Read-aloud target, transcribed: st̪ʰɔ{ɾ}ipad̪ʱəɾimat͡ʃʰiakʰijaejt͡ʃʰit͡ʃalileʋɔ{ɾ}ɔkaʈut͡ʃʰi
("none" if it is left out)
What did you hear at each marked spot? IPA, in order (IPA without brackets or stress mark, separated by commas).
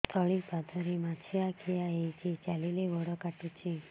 ɭ, ɽ